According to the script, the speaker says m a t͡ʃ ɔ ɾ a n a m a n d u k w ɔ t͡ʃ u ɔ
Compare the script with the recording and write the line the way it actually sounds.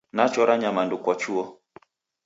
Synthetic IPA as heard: n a t͡ʃ ɔ ɾ a ɲ a m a n d u k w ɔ t͡ʃ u ɔ